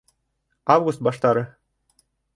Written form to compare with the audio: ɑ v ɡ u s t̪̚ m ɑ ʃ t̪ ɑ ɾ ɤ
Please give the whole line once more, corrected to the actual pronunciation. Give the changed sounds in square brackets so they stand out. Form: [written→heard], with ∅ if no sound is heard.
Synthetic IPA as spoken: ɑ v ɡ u s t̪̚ [m→b] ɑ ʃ t̪ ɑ ɾ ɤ